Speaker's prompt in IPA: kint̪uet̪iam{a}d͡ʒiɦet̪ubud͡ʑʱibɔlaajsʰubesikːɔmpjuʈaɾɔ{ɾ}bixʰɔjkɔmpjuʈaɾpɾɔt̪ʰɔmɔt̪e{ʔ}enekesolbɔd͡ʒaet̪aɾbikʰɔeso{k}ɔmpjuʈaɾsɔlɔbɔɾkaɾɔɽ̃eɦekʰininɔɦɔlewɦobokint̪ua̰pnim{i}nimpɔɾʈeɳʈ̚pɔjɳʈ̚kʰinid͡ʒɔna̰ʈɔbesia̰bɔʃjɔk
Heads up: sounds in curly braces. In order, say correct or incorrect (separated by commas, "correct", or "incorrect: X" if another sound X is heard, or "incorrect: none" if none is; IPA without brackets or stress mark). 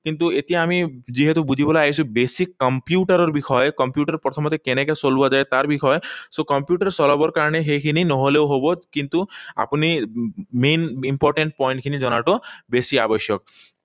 incorrect: i, correct, incorrect: k, correct, incorrect: e